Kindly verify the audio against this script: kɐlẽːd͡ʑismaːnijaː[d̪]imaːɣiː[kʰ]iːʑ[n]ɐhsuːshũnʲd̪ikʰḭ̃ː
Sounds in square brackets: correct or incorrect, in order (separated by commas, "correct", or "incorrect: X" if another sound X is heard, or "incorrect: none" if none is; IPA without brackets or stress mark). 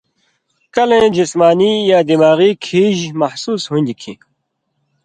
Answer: correct, correct, incorrect: m